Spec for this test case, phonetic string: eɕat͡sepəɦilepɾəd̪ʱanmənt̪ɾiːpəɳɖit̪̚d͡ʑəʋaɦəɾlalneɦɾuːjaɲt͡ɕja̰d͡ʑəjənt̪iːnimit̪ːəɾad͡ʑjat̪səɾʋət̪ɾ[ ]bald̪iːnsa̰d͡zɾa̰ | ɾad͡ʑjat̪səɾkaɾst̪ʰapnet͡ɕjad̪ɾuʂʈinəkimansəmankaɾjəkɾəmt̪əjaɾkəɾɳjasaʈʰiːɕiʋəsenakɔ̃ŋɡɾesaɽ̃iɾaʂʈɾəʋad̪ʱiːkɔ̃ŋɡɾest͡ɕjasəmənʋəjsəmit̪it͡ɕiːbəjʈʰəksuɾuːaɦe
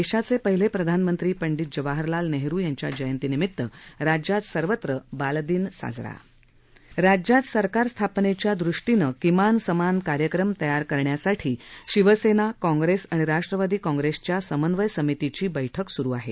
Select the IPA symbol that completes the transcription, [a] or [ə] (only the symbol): ə